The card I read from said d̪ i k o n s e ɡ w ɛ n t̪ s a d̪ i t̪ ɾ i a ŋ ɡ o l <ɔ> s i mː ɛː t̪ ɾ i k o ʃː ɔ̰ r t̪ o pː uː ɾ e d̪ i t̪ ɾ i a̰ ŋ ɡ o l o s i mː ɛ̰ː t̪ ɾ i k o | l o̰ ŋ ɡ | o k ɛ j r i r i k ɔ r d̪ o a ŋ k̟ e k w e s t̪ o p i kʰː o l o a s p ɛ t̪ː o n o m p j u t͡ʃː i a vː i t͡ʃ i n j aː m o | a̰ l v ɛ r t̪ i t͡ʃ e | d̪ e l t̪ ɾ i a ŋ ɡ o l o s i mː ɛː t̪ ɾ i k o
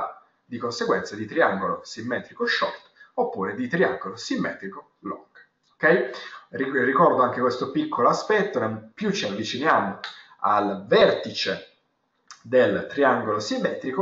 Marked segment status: incorrect: o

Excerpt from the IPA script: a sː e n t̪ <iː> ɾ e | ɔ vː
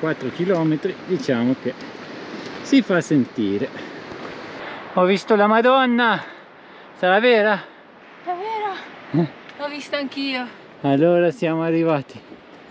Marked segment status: correct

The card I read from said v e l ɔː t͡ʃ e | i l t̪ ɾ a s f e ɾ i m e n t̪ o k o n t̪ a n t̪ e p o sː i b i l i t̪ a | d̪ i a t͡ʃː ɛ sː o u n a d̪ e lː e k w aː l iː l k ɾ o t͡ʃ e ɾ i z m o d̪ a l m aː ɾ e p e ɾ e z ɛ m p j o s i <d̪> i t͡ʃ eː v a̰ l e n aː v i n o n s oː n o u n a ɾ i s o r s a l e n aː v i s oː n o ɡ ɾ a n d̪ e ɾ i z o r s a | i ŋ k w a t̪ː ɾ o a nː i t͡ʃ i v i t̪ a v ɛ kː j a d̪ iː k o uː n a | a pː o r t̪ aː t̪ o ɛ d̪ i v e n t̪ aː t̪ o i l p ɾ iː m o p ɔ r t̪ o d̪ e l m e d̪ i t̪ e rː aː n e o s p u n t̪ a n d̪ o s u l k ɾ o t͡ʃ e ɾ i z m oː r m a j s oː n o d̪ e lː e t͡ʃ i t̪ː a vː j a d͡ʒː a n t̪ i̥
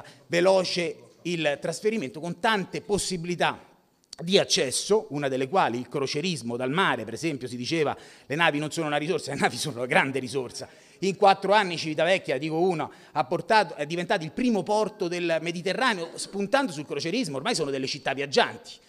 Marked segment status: correct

